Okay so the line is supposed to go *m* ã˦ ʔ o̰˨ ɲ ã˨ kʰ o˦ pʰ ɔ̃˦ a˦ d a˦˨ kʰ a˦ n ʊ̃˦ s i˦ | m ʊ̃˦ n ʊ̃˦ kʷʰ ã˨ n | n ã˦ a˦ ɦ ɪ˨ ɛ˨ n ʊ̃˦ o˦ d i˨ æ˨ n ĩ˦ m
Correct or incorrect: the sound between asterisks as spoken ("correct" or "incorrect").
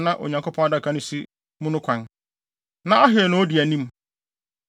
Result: incorrect